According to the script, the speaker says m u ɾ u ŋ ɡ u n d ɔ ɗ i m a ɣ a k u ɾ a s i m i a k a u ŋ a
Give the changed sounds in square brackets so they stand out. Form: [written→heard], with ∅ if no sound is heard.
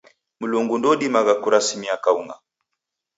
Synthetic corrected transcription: m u [ɾ→l] u ŋ ɡ u n d ɔ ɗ i m a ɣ a k u ɾ a s i m i a k a u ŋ a